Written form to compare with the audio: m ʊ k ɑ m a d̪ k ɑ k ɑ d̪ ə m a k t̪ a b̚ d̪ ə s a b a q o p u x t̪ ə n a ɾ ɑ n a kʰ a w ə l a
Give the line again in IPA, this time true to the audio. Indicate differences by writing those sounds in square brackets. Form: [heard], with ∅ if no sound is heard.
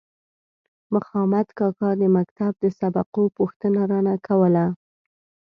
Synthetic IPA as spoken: m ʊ [x] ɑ m a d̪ k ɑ k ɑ d̪ ə m a k t̪ a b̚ d̪ ə s a b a q o p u x t̪ ə n a ɾ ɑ n a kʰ a w ə l a